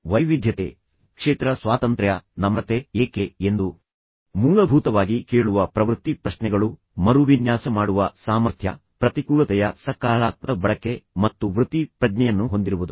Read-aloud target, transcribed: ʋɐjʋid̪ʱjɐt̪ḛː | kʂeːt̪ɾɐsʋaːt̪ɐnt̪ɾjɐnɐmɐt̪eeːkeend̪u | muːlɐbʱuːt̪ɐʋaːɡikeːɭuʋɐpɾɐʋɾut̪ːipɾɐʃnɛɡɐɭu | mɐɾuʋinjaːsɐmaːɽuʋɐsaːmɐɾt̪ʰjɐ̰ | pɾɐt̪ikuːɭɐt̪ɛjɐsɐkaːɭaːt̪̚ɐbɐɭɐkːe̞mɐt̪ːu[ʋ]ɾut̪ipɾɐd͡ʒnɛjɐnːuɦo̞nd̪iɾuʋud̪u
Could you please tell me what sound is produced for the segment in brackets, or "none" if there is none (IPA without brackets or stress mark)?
ʋ